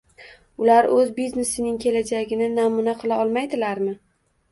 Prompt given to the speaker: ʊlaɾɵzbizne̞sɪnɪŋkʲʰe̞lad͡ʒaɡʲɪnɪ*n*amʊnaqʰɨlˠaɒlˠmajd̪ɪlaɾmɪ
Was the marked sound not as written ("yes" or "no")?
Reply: no